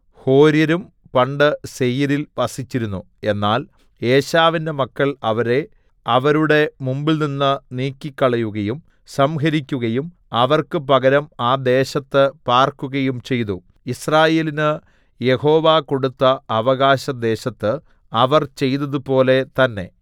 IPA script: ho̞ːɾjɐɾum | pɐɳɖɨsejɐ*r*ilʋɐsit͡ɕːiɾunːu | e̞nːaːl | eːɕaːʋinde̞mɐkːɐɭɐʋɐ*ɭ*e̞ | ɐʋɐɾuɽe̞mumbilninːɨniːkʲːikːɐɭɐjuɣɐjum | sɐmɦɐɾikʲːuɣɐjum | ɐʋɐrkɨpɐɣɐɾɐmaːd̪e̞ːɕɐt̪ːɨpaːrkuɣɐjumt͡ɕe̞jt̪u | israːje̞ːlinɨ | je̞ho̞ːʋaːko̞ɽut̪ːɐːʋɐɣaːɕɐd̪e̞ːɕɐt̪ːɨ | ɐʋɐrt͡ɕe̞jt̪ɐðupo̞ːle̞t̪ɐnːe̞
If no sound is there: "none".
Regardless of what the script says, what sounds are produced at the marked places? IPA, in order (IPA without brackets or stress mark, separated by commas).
ɾ, ɾ